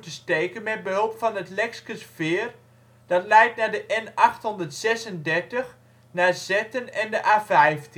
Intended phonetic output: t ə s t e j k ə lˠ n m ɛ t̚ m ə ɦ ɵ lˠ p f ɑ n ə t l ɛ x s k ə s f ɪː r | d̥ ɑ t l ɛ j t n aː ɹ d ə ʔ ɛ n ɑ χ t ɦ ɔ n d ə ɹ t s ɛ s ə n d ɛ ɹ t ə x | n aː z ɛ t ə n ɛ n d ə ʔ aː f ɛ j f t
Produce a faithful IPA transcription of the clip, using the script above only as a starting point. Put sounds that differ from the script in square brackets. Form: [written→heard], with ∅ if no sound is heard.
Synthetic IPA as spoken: t ə s t e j k ə [lˠ→∅] n m ɛ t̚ [m→b] ə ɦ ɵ lˠ p f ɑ n ə t l ɛ [x→k] s k ə s f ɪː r | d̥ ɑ t l ɛ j t n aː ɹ d ə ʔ ɛ n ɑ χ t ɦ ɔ n d ə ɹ t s ɛ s ə n d ɛ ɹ t ə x | n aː z ɛ t ə n ɛ n d ə ʔ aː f ɛ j f t

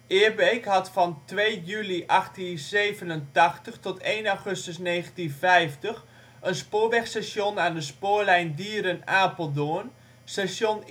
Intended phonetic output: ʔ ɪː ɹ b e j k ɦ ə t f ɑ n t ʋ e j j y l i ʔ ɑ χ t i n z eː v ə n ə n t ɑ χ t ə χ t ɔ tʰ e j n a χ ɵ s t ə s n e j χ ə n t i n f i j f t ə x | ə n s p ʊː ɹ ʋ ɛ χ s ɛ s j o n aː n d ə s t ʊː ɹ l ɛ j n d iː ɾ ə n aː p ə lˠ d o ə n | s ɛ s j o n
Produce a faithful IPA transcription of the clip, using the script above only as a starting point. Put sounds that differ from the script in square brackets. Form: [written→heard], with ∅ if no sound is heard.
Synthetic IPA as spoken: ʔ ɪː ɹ b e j k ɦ [ə→ɑ] t f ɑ n t ʋ e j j y l i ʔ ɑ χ t i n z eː v ə n ə n t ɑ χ t ə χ t ɔ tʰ e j n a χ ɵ s t ə s n e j χ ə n t i n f [i→ɛ] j f t ə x | ə n s p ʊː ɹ ʋ ɛ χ s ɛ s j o n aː n d ə s [t→p] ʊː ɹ l ɛ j n d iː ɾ ə n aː p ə lˠ d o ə n | s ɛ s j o n

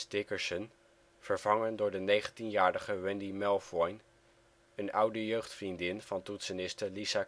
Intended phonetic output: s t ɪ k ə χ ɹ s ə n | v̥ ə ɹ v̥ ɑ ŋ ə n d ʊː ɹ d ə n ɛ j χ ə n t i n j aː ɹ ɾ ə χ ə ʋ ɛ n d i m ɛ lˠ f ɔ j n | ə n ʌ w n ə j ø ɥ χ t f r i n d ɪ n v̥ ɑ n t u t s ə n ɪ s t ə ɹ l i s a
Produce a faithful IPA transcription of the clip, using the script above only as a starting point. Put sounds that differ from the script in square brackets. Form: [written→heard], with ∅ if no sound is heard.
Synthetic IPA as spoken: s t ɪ k ə [χ→∅] ɹ s ə n | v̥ ə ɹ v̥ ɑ ŋ ə n d ʊː ɹ d ə n [ɛ→e] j χ ə n t i n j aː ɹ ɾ ə χ ə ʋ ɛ n d i m ɛ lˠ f ɔ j n | ə n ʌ w [n→d] ə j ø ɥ χ t f r i n d ɪ n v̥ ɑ n t u t s ə n ɪ s t ə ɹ l i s a

